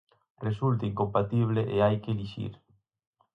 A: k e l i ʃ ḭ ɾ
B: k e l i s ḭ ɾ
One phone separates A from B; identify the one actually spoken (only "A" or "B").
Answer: A